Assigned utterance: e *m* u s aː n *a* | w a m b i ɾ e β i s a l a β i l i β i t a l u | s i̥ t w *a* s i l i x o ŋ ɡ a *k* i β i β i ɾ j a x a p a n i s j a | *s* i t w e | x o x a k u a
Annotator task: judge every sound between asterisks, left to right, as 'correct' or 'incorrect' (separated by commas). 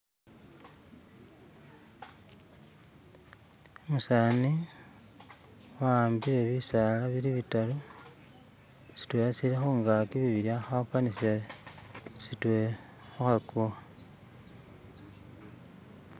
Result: correct, incorrect, incorrect, correct, correct